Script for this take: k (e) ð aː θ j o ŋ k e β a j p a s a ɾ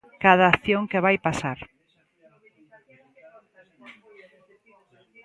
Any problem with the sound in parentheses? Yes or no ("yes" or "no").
yes